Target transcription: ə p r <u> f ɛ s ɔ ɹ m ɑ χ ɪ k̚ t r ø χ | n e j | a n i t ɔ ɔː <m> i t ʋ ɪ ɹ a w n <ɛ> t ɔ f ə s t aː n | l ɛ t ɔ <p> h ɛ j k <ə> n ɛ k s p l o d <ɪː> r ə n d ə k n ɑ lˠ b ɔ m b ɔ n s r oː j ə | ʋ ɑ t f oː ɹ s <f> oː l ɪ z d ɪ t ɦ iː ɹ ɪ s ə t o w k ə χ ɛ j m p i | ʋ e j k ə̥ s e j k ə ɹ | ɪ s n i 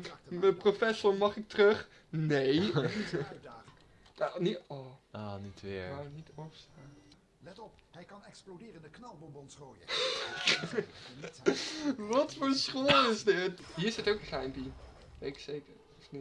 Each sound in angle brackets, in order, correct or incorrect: incorrect: o, incorrect: n, incorrect: i, correct, incorrect: ɑ, correct, incorrect: χ

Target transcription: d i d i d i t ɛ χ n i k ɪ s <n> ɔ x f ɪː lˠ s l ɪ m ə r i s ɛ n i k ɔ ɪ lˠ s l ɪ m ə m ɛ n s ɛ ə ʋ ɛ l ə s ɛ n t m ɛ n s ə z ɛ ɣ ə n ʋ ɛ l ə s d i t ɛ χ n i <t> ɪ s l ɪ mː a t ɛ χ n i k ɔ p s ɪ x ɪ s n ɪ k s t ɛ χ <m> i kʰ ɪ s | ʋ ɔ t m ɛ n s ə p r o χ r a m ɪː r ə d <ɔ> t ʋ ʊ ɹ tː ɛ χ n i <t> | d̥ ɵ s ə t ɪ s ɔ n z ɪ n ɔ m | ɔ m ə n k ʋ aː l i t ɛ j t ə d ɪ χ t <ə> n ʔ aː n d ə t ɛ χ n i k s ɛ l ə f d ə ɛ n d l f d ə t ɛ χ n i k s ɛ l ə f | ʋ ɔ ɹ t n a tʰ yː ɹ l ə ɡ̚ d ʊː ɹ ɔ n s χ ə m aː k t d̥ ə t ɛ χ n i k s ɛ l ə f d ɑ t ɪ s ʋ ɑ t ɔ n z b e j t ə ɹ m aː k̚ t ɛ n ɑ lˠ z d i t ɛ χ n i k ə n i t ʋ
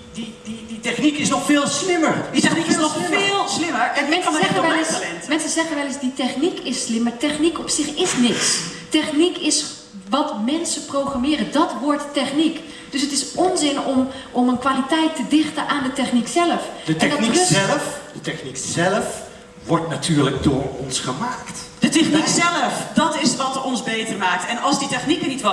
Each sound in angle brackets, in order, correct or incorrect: correct, incorrect: k, incorrect: n, correct, incorrect: k, correct

